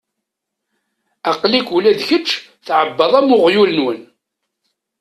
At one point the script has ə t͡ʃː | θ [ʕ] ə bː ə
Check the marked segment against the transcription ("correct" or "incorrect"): correct